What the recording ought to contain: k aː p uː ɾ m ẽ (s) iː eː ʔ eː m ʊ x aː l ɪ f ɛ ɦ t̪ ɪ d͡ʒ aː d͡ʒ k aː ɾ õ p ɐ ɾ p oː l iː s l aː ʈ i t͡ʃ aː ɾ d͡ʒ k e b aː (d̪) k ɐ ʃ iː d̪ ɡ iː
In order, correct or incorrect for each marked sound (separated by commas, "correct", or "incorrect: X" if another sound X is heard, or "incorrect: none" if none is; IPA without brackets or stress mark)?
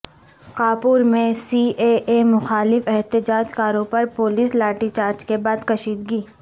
correct, correct